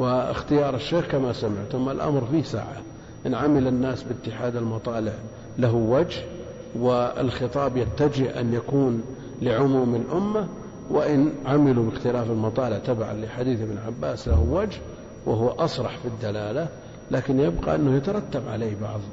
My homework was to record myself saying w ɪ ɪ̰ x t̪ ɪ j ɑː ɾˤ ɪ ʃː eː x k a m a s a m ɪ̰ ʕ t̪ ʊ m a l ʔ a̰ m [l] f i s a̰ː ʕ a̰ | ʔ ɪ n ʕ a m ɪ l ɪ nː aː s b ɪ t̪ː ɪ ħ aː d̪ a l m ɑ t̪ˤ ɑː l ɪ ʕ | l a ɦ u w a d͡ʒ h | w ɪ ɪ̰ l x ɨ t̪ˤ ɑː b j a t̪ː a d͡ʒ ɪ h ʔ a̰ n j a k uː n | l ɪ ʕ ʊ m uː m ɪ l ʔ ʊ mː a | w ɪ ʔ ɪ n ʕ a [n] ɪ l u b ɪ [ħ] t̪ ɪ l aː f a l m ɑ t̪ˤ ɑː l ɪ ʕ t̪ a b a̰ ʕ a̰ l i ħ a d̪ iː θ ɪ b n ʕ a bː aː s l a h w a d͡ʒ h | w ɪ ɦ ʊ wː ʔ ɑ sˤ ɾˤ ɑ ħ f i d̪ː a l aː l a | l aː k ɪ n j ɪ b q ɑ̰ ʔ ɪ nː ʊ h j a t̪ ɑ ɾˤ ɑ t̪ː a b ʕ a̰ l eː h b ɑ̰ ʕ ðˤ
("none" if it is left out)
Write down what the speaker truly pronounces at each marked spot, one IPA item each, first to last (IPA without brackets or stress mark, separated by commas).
ɾ, m, x